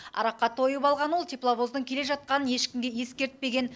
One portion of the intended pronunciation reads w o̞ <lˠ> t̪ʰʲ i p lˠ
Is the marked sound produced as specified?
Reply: yes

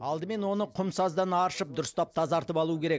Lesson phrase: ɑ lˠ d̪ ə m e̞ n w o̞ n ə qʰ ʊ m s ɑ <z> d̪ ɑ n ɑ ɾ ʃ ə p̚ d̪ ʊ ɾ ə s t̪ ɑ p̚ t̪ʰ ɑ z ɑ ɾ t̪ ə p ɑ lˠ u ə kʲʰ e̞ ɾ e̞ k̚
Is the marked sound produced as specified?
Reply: yes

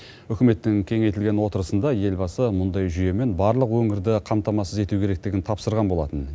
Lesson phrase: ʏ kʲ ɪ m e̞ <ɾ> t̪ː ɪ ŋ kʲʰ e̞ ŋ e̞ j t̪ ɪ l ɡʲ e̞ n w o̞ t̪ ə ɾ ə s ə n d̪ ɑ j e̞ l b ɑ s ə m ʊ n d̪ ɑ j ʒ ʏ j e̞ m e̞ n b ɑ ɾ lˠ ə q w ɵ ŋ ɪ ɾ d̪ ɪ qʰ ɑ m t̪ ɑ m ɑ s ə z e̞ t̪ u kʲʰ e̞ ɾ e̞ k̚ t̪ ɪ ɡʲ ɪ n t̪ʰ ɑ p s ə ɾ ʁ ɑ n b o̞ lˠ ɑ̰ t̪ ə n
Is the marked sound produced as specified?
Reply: no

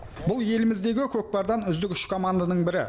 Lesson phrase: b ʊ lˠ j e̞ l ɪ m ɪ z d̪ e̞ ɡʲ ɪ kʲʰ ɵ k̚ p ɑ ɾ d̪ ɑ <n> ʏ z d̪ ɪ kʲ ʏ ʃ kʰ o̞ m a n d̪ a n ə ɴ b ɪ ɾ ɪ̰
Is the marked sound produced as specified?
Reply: yes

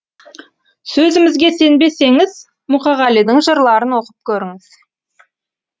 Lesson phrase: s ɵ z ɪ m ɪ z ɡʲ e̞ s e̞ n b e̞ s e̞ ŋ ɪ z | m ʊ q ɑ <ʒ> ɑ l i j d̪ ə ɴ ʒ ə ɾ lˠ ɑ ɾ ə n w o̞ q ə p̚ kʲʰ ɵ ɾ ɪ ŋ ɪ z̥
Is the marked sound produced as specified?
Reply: no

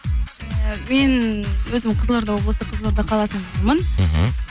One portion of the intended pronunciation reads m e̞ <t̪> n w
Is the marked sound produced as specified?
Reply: no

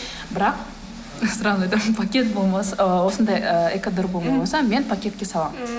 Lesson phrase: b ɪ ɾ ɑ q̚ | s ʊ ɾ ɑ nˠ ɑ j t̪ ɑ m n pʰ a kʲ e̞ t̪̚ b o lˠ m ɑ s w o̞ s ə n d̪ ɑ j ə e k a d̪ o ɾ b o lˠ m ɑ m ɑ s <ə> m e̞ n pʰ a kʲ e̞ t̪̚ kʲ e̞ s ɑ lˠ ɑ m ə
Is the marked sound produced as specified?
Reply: no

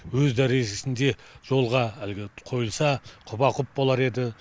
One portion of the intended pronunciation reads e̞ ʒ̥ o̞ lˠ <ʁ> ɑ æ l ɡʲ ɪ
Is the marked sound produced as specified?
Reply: yes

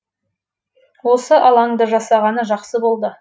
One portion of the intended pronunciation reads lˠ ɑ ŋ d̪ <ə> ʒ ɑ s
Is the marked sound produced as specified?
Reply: yes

